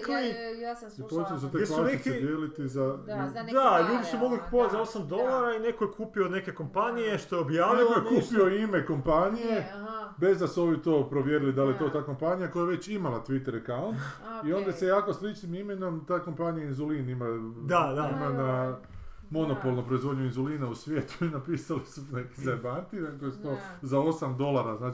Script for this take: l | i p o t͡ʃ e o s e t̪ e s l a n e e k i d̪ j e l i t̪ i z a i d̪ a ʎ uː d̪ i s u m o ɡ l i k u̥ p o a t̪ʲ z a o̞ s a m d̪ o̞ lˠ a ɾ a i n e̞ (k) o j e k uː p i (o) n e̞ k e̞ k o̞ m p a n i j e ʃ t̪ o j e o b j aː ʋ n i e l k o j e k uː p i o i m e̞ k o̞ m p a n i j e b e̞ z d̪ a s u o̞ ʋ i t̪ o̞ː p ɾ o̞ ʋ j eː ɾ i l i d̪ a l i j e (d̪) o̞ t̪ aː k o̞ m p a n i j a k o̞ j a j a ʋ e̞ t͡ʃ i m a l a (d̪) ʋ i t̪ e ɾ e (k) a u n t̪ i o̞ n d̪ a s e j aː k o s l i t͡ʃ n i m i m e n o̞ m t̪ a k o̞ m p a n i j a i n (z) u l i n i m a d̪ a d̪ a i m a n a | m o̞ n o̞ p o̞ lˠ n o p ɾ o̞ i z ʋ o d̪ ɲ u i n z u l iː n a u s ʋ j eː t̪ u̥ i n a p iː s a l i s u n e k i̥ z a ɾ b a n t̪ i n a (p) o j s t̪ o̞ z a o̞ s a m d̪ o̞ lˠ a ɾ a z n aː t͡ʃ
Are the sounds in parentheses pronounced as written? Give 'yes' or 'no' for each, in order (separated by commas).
yes, yes, no, no, yes, yes, no